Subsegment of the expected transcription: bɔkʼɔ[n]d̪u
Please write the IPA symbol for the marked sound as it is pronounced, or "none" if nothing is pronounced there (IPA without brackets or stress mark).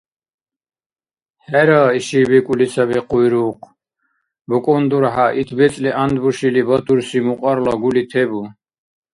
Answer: n